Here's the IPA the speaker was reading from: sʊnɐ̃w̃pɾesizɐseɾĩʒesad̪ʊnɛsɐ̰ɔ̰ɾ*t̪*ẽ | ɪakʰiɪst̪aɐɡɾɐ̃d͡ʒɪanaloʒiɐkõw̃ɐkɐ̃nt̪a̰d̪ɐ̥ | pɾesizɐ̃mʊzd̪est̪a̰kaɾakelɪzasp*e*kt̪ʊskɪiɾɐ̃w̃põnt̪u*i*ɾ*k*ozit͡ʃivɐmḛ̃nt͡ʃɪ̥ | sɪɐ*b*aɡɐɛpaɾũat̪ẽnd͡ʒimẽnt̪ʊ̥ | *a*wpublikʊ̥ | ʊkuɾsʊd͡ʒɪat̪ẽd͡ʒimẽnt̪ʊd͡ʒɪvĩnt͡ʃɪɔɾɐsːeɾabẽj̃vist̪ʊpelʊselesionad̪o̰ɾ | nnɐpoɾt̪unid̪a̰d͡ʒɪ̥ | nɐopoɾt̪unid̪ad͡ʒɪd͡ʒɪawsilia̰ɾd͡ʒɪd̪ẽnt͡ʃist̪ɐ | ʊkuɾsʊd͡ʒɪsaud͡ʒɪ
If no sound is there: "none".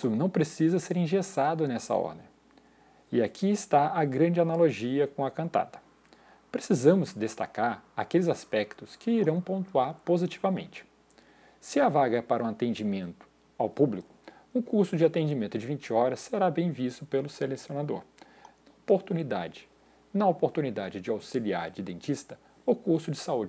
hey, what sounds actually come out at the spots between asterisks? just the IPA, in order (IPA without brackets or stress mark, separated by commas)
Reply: d̪, ɛ, a, p, v, a